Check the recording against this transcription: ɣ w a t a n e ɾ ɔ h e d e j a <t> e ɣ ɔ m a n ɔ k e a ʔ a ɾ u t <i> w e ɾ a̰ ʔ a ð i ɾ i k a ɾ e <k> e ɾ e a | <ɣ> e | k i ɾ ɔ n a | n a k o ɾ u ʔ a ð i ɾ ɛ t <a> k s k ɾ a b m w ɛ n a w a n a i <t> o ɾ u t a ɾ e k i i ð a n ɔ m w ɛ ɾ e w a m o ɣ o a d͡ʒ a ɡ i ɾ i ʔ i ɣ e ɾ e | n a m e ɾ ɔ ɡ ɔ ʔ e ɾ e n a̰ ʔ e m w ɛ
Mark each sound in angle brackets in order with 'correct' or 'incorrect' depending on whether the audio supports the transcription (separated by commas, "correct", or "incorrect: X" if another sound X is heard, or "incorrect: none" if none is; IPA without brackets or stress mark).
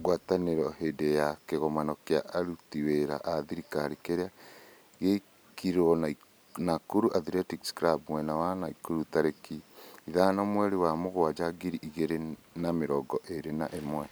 incorrect: k, correct, correct, correct, incorrect: i, incorrect: k